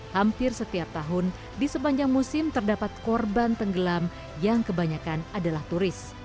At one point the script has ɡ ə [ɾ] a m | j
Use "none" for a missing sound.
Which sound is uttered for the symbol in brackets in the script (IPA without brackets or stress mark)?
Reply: l